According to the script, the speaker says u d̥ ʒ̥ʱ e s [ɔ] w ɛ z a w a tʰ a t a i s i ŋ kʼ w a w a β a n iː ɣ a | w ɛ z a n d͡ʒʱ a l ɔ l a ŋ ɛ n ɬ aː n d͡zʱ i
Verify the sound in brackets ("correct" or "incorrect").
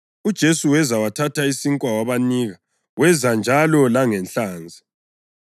incorrect